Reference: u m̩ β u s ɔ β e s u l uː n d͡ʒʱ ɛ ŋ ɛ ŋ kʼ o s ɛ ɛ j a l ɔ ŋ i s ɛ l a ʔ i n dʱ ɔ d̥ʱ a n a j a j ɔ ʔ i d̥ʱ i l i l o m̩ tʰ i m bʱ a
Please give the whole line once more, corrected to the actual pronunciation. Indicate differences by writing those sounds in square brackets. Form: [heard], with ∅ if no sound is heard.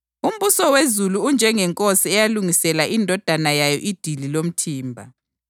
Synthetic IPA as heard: u m̩ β u s ɔ [w] e [z] u l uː n d͡ʒʱ ɛ ŋ ɛ ŋ kʼ o s [i] ɛ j a l [u] ŋ i s ɛ l a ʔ i n dʱ ɔ d̥ʱ a n a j a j ɔ ʔ i d̥ʱ i l i l o m̩ tʰ [iː] m bʱ a

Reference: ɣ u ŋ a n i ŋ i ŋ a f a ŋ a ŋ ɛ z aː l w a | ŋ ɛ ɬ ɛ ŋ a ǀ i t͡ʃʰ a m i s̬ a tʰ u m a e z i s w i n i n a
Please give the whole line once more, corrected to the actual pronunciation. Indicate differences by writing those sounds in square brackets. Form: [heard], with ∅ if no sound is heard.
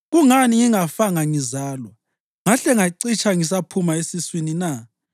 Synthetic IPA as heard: ɣ u ŋ a n i ŋ i ŋ a f a ŋ a ŋ [i] z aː l w a | ŋ [a] ɬ ɛ ŋ a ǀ i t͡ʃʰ a [ŋ] i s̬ a [pʰ] u m a e [s] i s w i n i n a

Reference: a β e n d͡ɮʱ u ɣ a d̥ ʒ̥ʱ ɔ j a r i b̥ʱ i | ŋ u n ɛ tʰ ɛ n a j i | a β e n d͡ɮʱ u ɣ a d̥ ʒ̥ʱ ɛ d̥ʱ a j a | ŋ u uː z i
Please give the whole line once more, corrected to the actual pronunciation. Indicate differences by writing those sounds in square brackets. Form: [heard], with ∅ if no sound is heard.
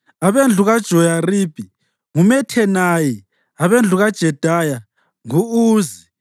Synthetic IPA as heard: a β e n d͡ɮʱ u ɣ a d̥ ʒ̥ʱ ɔ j a r i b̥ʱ i | ŋ u [m] ɛ tʰ ɛ n a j i | a β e n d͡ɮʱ u ɣ a d̥ ʒ̥ʱ ɛ d̥ʱ a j a | ŋ u uː z i

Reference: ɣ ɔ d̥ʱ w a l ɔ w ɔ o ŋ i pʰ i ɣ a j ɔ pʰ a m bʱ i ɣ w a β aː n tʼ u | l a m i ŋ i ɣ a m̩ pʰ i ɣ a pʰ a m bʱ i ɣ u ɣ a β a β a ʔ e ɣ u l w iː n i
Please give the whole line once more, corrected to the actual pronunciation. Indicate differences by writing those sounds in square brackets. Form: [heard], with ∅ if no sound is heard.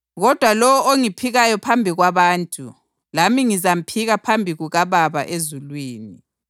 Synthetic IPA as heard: ɣ ɔ d̥ʱ w a l ɔ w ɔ o ŋ i pʰ i ɣ a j ɔ pʰ a m bʱ i ɣ w a β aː n tʼ u | l a m i ŋ i [z] a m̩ pʰ i ɣ a pʰ a m bʱ i ɣ u ɣ a β a β a ʔ e [z] u l w iː n i

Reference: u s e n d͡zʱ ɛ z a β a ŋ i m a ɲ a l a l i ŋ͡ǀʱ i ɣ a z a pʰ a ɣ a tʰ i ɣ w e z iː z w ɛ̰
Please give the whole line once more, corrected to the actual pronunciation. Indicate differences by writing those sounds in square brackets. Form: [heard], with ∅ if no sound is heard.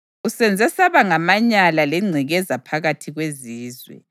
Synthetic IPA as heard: u s [ɛ] n d͡zʱ ɛ [s] a β a ŋ [a] m a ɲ a l a l [ɛ] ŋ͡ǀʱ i ɣ [ɛ] z a pʰ a ɣ a tʰ i ɣ w e z iː z w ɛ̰

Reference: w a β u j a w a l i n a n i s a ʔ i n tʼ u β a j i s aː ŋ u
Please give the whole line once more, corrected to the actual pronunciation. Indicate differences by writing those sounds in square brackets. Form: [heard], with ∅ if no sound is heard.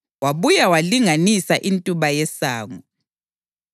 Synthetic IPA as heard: w a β u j a w a l i [ŋ] a n i s a ʔ i n tʼ u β a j [ɛ] s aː ŋ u

